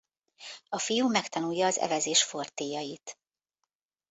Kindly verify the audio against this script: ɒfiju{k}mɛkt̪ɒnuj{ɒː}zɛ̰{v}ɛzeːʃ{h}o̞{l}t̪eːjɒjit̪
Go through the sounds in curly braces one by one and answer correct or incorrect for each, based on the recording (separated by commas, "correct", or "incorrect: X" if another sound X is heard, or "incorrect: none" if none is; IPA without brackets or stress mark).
incorrect: none, correct, correct, incorrect: f, incorrect: r